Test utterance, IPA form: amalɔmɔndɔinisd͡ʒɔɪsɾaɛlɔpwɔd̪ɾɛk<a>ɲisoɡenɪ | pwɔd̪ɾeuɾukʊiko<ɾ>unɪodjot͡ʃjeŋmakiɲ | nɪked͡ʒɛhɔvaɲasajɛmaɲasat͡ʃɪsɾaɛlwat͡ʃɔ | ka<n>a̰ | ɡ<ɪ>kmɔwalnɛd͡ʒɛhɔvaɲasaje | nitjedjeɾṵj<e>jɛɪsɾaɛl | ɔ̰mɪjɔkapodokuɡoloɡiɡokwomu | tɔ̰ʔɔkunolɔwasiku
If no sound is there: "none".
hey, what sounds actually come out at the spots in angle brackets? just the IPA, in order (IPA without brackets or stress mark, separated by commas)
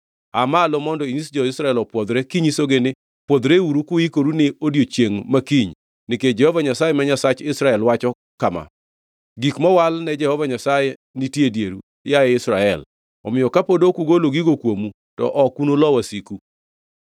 i, ɾ, m, i, a